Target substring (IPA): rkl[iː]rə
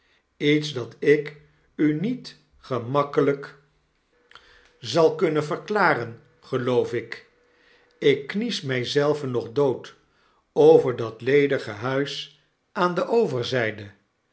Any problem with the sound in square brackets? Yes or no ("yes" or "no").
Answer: yes